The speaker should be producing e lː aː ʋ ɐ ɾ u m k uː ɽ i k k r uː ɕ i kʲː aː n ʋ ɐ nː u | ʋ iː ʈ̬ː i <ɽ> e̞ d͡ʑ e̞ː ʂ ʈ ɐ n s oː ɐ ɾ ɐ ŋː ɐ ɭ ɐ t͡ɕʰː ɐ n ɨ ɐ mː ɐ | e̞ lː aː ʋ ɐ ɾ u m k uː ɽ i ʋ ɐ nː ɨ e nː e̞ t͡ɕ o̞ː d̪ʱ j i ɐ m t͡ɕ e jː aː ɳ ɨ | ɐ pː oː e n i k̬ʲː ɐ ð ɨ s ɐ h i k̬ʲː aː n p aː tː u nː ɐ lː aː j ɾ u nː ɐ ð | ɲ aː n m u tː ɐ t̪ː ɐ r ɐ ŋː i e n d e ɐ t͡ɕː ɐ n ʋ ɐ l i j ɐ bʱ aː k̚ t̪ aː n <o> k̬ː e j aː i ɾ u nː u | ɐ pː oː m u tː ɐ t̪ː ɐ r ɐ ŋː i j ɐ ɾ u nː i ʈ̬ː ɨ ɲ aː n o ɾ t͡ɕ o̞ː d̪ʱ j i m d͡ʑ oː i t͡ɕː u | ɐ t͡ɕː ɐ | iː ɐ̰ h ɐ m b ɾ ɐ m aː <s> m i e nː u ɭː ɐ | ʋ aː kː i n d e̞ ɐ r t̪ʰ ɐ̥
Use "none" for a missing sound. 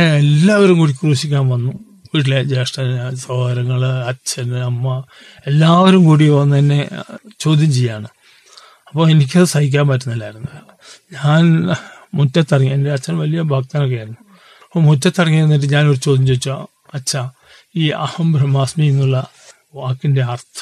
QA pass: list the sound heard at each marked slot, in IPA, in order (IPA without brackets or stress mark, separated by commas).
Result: l, o, s